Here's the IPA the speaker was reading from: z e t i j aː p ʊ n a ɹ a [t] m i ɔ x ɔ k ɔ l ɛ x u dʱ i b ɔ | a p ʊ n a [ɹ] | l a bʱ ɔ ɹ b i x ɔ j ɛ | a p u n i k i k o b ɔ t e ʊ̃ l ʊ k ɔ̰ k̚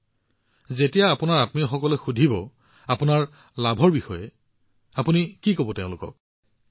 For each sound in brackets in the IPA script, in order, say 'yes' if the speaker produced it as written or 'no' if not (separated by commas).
yes, yes